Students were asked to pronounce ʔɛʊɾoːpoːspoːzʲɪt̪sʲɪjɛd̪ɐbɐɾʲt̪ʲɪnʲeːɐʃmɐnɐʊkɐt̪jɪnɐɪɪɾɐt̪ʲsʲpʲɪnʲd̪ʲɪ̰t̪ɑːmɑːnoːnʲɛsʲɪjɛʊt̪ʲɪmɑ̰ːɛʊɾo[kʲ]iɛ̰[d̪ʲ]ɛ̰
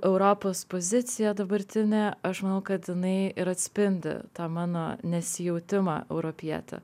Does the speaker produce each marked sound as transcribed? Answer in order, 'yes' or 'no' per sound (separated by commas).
no, no